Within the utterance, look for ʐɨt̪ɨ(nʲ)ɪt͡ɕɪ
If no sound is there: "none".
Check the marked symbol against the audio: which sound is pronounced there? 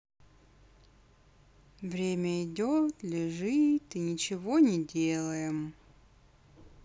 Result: nʲ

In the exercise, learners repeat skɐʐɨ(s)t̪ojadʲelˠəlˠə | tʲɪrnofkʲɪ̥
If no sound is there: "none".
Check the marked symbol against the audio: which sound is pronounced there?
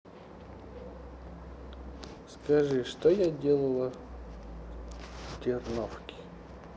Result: ʂ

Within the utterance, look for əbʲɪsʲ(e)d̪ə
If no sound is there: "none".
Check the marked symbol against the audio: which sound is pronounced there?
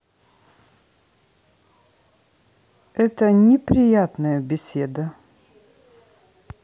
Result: e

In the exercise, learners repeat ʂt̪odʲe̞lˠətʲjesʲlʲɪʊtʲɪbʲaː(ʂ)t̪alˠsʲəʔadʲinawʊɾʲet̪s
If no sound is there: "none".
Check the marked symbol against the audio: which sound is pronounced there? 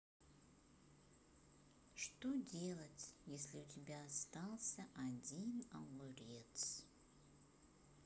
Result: s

